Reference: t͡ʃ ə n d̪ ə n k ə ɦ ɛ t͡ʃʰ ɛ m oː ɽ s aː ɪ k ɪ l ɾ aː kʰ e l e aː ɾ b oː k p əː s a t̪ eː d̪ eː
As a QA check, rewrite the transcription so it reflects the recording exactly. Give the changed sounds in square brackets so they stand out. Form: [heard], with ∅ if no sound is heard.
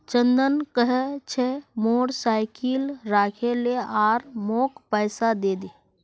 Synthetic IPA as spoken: t͡ʃ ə n d̪ ə n k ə ɦ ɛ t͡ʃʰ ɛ m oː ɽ s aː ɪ k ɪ l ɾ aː kʰ e l e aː ɾ [m] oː k p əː s a [d̪] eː d̪ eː